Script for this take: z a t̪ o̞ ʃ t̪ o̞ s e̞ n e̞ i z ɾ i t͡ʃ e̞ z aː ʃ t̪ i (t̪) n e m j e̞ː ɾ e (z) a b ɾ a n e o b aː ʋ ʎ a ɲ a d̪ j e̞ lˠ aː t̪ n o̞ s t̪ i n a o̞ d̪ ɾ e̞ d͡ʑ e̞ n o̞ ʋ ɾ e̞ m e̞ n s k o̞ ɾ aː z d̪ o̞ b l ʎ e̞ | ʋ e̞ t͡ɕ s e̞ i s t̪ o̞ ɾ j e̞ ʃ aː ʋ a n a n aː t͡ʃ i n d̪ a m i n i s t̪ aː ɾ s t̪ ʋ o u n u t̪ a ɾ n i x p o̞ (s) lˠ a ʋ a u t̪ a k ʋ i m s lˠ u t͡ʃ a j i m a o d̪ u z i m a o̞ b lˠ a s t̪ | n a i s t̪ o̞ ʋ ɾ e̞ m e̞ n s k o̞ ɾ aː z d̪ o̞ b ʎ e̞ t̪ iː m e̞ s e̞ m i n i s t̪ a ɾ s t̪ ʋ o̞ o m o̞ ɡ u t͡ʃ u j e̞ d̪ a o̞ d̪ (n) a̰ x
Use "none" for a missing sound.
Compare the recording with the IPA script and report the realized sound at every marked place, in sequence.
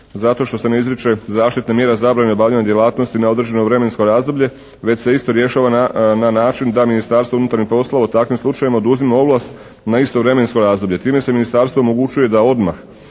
t̪, z, s, m

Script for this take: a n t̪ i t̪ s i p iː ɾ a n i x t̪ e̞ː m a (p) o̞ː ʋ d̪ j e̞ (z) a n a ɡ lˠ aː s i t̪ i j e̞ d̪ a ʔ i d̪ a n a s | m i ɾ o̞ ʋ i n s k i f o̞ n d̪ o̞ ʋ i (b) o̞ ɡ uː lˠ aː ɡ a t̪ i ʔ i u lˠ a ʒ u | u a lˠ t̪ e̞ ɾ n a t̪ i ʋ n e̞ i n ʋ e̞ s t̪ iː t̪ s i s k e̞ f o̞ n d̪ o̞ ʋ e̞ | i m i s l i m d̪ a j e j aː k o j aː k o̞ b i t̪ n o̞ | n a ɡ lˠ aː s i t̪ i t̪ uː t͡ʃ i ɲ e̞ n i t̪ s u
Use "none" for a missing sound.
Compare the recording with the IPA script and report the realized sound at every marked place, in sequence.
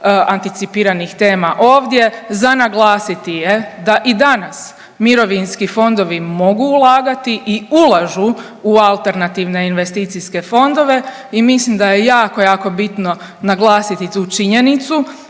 ʔ, z, m

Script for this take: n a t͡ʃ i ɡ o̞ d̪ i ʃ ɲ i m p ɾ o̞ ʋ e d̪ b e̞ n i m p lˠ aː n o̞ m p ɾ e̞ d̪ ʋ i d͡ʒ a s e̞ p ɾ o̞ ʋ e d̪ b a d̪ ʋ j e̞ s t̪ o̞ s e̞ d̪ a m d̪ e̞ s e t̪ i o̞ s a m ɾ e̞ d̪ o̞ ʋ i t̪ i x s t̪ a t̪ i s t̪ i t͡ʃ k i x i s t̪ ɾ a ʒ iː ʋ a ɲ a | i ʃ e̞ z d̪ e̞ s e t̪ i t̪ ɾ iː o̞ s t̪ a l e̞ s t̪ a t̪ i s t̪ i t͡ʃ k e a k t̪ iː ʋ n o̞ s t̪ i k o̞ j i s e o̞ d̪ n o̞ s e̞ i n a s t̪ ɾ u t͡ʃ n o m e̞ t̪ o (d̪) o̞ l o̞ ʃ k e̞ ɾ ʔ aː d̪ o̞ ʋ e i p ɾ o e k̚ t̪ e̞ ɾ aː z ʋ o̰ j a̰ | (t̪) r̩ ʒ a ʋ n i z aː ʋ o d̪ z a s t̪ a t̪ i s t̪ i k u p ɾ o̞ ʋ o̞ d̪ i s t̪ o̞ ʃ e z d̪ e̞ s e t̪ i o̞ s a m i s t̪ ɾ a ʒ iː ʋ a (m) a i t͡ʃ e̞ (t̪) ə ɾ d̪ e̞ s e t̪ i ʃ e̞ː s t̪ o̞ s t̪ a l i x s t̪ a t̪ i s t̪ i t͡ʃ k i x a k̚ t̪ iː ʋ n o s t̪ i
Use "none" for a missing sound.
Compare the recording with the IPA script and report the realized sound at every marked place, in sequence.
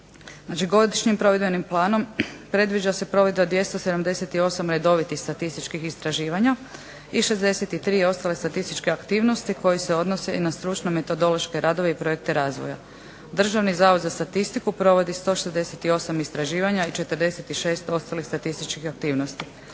d̪, d̪, ɲ, t̪

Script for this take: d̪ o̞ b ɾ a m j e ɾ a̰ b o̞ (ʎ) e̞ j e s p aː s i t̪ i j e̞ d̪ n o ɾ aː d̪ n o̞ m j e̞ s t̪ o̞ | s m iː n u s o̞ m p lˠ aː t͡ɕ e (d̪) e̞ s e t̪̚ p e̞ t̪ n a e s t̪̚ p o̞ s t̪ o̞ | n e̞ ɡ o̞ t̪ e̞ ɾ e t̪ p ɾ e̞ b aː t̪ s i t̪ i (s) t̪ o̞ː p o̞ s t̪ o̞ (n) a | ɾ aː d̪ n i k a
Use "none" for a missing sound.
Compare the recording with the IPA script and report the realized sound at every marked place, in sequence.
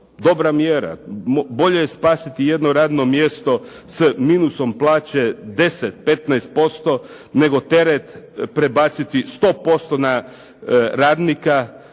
ʎ, d̪, s, n

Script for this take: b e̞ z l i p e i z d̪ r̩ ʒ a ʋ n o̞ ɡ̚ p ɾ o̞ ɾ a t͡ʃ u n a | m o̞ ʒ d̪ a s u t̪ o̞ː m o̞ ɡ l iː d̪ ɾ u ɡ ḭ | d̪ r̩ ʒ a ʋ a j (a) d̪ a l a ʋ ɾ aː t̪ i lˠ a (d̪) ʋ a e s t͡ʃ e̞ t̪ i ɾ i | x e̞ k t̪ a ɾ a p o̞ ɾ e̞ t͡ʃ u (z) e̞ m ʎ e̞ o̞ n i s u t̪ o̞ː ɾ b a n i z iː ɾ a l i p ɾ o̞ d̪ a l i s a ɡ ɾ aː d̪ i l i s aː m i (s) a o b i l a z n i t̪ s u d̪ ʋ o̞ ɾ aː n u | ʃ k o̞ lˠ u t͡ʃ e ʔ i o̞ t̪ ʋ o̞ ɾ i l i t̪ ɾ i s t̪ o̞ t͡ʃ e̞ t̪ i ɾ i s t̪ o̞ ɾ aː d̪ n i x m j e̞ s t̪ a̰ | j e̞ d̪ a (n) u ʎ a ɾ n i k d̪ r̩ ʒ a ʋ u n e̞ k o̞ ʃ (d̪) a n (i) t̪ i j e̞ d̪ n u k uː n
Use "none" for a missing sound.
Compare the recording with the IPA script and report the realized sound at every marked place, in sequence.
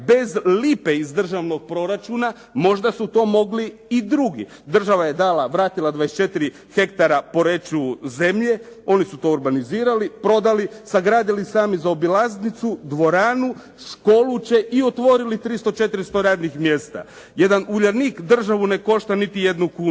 e, d̪, z, z, n, t̪, i

